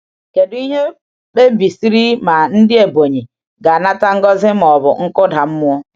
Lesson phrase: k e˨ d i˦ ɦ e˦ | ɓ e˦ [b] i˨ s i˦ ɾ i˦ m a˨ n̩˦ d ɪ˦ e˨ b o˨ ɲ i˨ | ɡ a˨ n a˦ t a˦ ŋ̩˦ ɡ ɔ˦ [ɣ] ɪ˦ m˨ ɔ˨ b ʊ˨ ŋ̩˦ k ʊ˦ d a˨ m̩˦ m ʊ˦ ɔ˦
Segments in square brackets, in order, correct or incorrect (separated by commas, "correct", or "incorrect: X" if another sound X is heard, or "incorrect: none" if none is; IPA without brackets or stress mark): correct, incorrect: z